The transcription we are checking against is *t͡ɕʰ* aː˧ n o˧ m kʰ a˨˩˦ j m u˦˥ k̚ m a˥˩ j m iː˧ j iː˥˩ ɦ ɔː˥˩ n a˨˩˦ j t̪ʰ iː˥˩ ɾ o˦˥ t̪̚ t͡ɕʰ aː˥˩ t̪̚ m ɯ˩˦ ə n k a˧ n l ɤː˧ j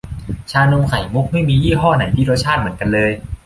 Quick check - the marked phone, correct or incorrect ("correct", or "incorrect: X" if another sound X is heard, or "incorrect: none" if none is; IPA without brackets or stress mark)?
correct